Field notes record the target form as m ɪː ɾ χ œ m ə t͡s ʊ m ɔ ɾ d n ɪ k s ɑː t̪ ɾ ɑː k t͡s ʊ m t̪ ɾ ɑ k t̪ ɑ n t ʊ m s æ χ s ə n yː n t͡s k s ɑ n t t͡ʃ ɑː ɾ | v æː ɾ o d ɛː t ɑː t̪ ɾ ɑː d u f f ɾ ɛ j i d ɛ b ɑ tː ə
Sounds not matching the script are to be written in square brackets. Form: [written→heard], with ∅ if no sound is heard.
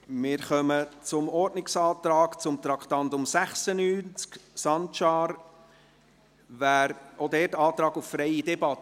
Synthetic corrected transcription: m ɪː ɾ χ œ m ə t͡s ʊ m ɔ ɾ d n ɪ k s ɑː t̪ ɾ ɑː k t͡s ʊ m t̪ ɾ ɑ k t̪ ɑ n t ʊ m s æ χ s ə n yː n t͡s k s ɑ n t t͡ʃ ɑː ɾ | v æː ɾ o d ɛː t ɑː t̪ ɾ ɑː [d→ɡ] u f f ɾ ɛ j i d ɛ b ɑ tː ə